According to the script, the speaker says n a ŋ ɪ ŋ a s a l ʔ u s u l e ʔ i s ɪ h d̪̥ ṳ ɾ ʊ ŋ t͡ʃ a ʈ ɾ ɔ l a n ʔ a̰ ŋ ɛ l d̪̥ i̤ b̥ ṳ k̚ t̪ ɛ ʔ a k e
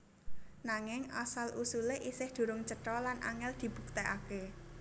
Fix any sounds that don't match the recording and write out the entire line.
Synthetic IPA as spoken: n a ŋ ɪ ŋ a s a l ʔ u s u l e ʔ i s ɪ h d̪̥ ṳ ɾ ʊ ŋ t͡ʃ ə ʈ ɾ ɔ l a n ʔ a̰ ŋ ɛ l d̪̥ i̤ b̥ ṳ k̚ t̪ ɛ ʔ a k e